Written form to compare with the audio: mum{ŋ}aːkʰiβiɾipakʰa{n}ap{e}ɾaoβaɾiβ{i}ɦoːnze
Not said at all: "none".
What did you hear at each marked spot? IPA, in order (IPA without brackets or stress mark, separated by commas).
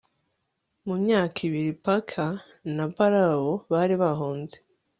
ɲ, n, a, a